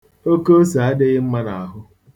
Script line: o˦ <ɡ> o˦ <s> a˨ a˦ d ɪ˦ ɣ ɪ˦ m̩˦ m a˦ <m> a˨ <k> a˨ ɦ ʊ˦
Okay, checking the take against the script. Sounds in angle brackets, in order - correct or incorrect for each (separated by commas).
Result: incorrect, correct, incorrect, incorrect